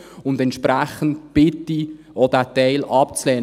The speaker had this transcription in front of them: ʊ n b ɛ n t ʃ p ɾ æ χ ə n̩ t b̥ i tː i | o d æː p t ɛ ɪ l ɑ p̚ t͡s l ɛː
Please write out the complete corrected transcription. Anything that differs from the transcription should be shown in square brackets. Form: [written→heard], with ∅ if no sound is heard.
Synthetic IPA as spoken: ʊ n [b→d] ɛ n t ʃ p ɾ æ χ ə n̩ t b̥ [i→ɪ] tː i | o d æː [p→∅] t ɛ ɪ l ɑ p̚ t͡s l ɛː